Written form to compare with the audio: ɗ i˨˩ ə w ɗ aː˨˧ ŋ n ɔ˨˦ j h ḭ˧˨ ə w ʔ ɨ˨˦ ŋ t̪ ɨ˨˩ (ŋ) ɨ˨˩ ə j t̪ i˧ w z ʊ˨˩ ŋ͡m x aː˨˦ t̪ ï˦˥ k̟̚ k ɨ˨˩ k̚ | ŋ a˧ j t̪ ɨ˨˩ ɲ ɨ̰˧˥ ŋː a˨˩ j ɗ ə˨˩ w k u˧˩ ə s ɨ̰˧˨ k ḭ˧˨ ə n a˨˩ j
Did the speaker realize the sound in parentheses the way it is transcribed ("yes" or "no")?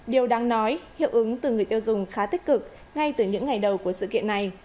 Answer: yes